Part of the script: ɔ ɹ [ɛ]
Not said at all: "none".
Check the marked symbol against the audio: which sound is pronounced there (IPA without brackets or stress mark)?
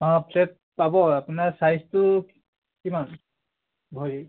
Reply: i